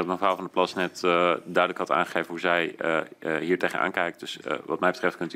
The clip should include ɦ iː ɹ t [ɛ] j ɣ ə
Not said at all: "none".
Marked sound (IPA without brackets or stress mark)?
e